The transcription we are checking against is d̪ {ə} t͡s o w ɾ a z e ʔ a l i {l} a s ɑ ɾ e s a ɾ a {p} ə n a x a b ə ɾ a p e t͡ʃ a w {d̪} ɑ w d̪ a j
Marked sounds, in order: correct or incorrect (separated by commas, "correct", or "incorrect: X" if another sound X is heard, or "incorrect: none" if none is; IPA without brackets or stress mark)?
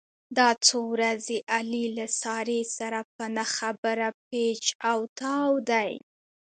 incorrect: ɑ, correct, correct, incorrect: t̪